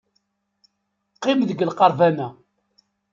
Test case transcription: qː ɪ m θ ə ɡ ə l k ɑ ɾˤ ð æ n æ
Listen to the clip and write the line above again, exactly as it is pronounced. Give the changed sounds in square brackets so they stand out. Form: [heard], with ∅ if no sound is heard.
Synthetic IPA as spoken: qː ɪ m [ð] ə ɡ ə l [q] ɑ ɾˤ [v] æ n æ